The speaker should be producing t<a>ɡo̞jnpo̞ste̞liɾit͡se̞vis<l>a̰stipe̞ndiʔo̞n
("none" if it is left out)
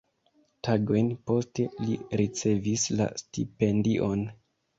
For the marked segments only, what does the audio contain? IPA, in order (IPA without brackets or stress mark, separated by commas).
a, l